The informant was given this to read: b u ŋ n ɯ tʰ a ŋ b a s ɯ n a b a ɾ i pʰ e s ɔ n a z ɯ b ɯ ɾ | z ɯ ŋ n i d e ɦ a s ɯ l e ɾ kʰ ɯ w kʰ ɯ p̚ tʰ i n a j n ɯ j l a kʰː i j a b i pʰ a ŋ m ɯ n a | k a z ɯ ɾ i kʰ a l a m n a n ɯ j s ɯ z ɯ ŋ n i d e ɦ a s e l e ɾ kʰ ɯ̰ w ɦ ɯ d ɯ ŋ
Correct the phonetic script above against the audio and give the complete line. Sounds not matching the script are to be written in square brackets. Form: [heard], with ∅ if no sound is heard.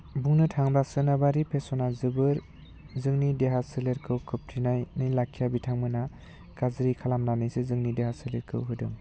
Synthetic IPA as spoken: b u ŋ n ɯ tʰ a ŋ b a s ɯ n a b a ɾ i pʰ e s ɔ n a z ɯ b ɯ ɾ | z ɯ ŋ n i d e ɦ a s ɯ l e ɾ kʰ ɯ w kʰ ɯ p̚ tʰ i n a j n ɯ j l a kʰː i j a b i [tʰ] a ŋ m ɯ n a | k a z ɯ ɾ i kʰ a l a m n a n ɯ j s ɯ z ɯ ŋ n i d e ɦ a s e l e ɾ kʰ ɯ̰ w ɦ ɯ d ɯ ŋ